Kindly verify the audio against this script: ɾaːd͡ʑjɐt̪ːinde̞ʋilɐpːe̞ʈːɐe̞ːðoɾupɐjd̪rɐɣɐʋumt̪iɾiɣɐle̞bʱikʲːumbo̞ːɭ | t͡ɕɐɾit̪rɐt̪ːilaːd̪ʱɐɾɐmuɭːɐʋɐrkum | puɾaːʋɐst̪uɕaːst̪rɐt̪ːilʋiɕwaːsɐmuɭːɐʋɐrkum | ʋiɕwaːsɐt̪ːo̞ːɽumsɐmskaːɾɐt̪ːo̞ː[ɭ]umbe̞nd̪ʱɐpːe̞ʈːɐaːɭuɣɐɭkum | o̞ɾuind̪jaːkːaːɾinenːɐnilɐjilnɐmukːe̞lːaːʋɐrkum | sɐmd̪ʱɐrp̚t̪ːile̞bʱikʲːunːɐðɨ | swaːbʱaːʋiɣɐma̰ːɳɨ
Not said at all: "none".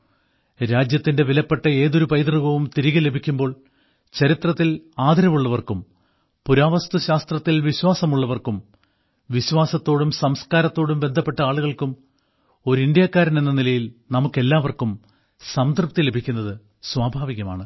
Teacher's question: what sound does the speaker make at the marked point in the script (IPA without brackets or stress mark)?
ɽ